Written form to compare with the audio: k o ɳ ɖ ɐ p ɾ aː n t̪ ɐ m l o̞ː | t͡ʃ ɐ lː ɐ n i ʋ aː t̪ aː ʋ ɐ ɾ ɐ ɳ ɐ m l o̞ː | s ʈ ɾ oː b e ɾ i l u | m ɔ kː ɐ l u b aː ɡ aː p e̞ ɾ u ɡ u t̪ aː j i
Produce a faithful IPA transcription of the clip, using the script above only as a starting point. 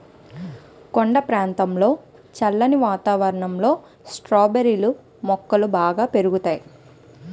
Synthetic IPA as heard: k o ɳ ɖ ɐ p ɾ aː n t̪ ɐ m l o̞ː | t͡ʃ ɐ lː ɐ n i ʋ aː t̪ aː ʋ ɐ ɾ ɐ ɳ ɐ m l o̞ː | s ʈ ɾ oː b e ɾ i l u | m ɔ kː ɐ l u b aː ɡ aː p e̞ ɾ u ɡ u t̪ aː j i